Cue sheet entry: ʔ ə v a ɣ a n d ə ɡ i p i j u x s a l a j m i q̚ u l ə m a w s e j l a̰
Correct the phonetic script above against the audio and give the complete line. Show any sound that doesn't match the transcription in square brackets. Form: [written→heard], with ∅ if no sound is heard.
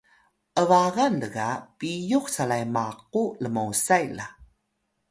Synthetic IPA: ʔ ə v a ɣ a n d ə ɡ [i→a] p i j u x s a l a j m [i→a] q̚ u l ə m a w s [e→a] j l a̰